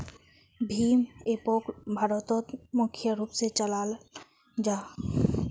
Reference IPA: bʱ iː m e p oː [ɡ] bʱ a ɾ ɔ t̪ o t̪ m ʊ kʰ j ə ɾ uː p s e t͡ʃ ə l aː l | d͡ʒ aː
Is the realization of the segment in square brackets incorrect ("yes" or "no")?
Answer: yes